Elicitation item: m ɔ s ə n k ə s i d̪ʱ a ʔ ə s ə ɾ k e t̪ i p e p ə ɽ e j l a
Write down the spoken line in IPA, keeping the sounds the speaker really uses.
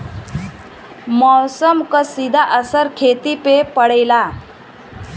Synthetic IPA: m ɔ s ə m k ə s i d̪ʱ a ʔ ə s ə ɾ kʰ e t̪ i p e p ə ɽ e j l a